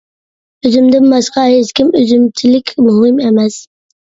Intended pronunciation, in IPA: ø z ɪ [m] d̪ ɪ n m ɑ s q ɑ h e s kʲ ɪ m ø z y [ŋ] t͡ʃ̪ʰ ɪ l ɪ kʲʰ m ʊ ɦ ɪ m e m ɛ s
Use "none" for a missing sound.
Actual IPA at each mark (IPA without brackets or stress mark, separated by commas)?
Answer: m, m